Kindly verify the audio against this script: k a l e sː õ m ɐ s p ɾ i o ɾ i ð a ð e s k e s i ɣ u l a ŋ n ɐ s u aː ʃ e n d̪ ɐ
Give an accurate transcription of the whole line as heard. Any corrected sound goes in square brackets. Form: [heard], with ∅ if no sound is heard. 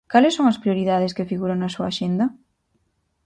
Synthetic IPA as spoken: k a l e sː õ [ŋ] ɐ s p ɾ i o ɾ i ð a ð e s k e [f] i ɣ u [ɾ] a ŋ n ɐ s u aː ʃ e n d̪ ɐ